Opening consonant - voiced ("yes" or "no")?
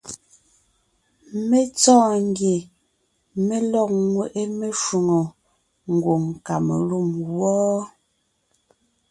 yes